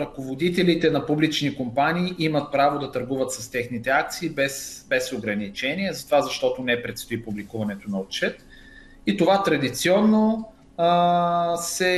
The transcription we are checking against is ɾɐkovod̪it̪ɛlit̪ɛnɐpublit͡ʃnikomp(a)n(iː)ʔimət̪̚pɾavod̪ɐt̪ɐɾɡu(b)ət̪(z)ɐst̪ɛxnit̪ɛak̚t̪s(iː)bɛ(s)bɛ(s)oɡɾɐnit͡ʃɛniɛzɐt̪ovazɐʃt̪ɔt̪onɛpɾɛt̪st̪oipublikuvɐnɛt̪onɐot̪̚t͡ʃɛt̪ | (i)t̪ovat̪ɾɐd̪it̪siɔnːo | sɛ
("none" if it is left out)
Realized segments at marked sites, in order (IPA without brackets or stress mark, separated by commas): a, iː, v, s, iː, s, s, i